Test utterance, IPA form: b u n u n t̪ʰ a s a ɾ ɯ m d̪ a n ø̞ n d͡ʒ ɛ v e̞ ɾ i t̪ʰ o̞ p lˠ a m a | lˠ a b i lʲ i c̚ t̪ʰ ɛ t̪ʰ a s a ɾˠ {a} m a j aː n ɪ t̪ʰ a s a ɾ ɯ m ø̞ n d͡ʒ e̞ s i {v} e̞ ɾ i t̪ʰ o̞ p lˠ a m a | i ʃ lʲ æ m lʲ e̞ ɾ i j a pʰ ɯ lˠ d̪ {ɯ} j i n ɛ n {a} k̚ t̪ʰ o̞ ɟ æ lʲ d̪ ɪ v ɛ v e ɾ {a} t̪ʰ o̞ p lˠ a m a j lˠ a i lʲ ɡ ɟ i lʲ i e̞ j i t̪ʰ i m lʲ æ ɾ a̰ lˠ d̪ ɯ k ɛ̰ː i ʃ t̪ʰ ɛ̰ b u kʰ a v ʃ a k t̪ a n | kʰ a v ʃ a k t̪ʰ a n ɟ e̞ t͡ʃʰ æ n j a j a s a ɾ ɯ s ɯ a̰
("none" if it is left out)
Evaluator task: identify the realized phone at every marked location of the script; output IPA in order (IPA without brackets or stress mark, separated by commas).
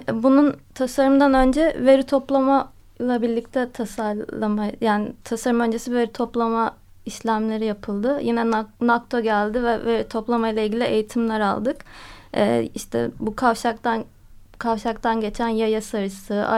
a, v, ɯ, a, i